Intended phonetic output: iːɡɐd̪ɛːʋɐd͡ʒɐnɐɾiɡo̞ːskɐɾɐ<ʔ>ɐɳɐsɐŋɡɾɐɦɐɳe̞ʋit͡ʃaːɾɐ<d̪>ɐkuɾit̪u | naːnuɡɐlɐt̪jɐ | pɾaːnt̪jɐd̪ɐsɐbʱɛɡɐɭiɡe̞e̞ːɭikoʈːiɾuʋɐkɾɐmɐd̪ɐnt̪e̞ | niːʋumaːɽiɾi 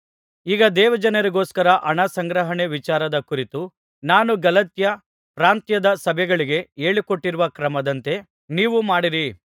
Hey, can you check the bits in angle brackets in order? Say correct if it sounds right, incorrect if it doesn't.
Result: correct, correct

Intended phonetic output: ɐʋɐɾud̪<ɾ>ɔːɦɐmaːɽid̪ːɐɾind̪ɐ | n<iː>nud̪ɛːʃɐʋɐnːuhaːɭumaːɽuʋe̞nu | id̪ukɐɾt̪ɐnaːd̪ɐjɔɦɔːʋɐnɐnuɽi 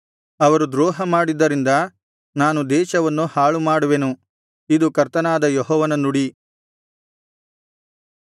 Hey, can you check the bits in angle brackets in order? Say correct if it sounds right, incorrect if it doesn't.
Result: correct, incorrect: aː

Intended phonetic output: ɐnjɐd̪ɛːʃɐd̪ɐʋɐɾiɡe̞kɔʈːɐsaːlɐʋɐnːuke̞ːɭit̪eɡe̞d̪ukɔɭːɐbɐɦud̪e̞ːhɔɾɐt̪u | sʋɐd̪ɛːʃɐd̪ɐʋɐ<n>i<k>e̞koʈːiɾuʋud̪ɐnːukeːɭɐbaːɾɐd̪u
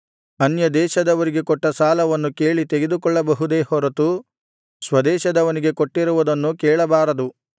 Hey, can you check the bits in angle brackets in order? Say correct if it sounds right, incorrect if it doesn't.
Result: correct, incorrect: ɡ

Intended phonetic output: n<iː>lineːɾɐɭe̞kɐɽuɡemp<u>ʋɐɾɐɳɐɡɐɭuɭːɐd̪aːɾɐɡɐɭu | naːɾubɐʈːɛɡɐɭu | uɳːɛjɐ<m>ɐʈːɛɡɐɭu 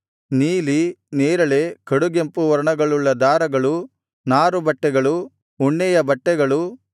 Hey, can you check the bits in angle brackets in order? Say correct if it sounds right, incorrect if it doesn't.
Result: correct, correct, incorrect: b

